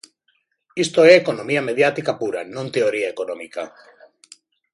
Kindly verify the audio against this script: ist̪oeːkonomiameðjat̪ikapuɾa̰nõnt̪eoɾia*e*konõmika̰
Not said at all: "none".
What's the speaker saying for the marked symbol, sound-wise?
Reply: e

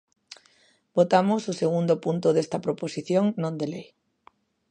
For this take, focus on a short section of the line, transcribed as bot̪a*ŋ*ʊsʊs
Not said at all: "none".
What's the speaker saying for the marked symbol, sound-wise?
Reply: m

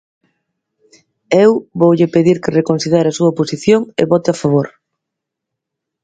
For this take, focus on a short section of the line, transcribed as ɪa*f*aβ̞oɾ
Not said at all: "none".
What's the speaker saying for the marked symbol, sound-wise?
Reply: f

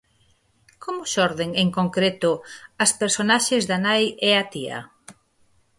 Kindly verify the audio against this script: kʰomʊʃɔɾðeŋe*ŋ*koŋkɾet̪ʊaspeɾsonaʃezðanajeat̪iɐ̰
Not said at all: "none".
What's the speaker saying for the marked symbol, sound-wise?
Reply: ŋ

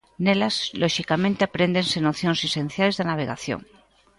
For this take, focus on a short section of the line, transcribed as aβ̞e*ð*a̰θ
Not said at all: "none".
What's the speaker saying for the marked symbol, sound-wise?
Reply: ɣ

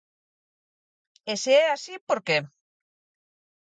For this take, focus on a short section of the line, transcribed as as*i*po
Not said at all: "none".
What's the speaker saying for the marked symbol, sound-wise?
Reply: i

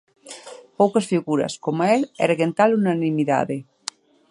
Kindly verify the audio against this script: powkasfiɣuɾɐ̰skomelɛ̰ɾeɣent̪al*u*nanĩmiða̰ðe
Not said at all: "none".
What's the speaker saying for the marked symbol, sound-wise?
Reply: u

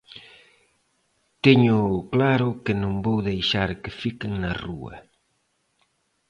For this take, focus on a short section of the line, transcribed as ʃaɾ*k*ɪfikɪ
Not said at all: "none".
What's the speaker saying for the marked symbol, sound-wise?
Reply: k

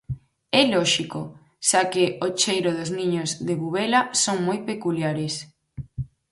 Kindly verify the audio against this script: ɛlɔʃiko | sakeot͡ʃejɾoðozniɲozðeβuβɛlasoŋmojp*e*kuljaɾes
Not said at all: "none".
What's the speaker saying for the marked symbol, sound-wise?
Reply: e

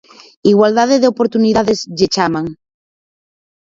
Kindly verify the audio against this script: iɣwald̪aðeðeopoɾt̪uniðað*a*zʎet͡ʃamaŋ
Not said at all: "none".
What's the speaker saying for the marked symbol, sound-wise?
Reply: e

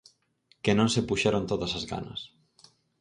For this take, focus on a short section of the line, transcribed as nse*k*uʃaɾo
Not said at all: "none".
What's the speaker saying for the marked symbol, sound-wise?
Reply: p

